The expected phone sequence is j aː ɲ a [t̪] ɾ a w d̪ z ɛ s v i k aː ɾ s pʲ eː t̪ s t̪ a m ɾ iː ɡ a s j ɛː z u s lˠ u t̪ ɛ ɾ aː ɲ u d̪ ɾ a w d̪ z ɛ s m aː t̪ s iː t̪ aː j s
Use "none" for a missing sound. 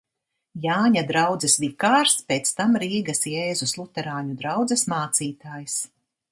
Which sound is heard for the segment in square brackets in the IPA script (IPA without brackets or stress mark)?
d̪